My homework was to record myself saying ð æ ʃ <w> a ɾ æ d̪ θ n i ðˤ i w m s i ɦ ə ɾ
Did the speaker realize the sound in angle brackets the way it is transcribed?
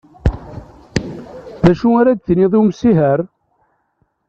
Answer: no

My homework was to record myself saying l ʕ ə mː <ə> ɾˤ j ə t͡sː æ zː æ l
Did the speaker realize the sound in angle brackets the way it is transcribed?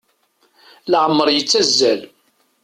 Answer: yes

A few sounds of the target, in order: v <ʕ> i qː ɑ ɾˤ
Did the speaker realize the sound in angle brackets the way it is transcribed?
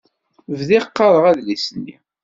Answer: no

